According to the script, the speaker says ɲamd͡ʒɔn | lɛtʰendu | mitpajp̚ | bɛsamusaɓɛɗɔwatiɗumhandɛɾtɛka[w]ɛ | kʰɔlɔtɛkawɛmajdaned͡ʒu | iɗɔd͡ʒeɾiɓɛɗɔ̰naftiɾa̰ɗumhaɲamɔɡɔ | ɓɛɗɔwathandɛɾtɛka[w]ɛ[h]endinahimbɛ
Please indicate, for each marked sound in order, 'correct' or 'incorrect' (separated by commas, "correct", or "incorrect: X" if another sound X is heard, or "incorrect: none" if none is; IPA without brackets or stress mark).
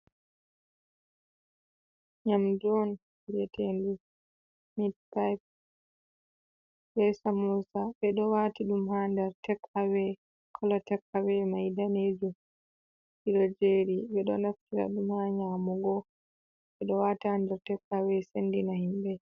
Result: correct, correct, incorrect: s